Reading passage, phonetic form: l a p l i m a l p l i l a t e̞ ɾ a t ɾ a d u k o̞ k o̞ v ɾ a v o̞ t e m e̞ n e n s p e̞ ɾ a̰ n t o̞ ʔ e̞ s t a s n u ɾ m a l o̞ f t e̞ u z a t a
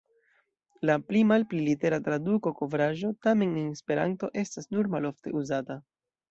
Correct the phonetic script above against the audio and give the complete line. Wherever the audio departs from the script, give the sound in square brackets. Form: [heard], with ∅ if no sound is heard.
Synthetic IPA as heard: l a p l i m a l p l i l [i] t e̞ ɾ a t ɾ a d u k o̞ k o̞ v ɾ a [ʒ] o̞ t [a] m e̞ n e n s p e̞ ɾ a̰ n t o̞ ʔ e̞ s t a s n u ɾ m a l o̞ f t e̞ u z a t a